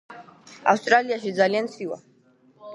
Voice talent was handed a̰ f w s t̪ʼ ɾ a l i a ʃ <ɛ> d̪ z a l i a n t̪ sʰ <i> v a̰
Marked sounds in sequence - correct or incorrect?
incorrect, correct

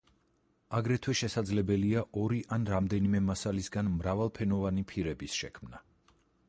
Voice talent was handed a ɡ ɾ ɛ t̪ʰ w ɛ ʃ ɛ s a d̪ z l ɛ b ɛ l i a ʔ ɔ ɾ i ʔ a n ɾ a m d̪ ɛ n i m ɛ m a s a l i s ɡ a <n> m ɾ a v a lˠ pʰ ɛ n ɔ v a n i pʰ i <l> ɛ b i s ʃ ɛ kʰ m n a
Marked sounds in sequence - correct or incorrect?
correct, incorrect

